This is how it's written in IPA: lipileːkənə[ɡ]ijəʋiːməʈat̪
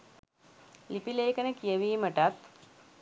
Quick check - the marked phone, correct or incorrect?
incorrect